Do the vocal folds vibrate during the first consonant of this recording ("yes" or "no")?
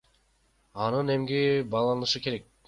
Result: yes